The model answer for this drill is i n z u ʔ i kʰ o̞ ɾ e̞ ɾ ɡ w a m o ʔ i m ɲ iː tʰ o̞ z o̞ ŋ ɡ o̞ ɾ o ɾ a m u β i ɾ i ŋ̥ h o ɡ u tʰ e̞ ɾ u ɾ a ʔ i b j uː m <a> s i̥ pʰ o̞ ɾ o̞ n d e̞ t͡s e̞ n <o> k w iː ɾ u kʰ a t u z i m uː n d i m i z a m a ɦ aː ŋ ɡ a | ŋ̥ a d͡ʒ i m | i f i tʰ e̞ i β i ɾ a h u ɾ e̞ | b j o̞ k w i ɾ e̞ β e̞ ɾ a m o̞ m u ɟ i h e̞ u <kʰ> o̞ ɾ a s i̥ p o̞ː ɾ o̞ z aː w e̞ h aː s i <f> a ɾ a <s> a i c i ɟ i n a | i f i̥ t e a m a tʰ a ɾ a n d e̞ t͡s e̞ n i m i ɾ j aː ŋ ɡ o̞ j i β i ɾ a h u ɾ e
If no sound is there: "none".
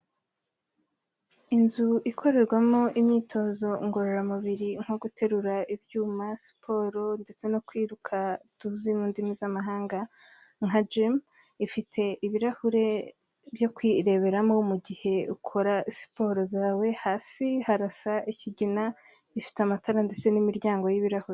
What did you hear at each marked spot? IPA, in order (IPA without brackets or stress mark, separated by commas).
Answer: a, o, kʰ, h, s